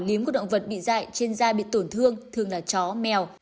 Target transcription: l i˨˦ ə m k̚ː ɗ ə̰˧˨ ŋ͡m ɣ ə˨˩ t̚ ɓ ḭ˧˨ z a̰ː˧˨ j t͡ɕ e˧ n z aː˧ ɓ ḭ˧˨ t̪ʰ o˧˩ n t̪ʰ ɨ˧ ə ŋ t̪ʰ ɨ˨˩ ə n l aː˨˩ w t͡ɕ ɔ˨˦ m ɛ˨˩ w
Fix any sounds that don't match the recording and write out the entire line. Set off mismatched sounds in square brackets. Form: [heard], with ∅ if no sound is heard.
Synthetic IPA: l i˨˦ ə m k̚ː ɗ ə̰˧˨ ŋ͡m [v] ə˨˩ t̚ ɓ ḭ˧˨ z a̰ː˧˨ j t͡ɕ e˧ n z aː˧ ɓ ḭ˧˨ [t̪] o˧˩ n t̪ʰ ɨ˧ ə ŋ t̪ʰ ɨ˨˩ ə [ŋ] l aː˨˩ [∅] t͡ɕ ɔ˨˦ m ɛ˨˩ w